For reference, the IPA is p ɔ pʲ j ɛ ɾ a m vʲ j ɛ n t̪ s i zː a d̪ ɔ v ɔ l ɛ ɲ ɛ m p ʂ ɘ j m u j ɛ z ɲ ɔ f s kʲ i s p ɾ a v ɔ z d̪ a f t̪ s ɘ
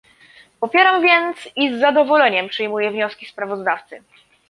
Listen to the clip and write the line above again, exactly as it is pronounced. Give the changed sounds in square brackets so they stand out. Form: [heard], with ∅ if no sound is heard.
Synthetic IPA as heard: p ɔ pʲ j ɛ ɾ a m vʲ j ɛ n t̪ s i zː a d̪ ɔ v ɔ l ɛ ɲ ɛ m p ʂ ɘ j m u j ɛ [v] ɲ ɔ [∅] s kʲ i s p ɾ a v ɔ z d̪ a f t̪ s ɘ